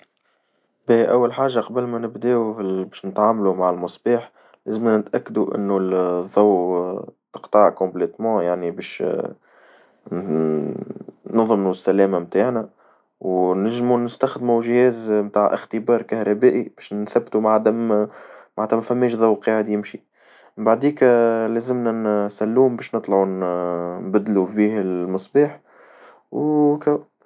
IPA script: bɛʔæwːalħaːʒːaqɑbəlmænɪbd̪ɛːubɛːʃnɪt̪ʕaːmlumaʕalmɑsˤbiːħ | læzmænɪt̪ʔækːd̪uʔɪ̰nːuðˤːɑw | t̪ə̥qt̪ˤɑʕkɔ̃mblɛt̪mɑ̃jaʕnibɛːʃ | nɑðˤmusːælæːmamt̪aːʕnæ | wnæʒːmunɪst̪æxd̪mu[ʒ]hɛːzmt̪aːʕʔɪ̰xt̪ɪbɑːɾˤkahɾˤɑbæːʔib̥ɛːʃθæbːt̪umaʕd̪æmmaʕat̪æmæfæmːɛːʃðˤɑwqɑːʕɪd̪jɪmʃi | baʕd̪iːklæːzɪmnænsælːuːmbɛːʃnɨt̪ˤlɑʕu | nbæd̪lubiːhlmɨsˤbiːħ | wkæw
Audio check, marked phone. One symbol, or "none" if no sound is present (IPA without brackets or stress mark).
ʒ